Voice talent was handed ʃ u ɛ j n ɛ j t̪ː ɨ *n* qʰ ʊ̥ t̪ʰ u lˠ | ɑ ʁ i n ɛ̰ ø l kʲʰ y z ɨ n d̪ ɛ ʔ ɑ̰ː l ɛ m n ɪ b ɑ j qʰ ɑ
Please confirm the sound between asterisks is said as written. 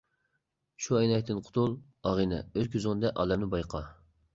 yes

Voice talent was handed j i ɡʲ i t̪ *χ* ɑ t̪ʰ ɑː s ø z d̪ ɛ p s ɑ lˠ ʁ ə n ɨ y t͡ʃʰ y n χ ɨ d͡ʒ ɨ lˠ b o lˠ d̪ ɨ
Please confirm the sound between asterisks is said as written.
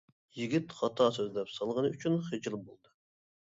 yes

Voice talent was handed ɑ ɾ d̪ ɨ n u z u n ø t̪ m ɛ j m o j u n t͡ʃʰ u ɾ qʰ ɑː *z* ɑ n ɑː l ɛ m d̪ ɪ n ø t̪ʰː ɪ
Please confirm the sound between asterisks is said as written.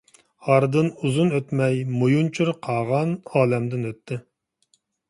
no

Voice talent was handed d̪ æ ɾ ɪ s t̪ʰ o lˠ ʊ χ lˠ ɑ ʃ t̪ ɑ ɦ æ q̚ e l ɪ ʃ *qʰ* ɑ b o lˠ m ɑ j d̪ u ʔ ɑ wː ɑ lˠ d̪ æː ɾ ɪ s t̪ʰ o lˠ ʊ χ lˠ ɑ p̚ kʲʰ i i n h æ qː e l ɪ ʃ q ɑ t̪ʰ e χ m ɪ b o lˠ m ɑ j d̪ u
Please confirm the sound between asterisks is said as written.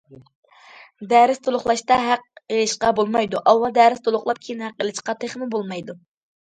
no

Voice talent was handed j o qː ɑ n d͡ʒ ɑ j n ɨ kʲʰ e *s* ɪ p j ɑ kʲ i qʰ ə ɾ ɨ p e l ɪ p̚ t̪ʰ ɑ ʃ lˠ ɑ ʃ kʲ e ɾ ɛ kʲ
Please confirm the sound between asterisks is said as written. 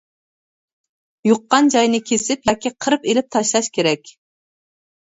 yes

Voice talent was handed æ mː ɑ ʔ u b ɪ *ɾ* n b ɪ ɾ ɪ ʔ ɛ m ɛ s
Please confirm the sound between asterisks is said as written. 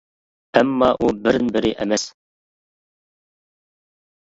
yes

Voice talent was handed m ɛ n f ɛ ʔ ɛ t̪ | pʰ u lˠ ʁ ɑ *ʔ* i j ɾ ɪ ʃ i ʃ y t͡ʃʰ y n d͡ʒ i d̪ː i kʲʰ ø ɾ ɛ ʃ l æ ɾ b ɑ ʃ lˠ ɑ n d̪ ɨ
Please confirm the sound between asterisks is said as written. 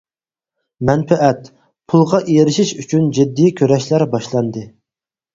yes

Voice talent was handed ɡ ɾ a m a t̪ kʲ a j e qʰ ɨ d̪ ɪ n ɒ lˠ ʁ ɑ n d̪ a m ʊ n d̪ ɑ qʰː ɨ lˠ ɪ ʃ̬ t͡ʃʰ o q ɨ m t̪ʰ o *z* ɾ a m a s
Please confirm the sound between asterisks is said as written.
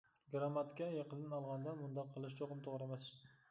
no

